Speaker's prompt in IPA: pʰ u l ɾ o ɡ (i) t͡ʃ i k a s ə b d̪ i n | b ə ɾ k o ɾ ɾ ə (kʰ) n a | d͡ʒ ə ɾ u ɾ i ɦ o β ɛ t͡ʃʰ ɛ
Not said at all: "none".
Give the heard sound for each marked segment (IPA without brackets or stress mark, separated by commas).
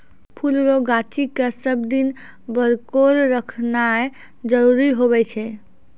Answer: a, kʰ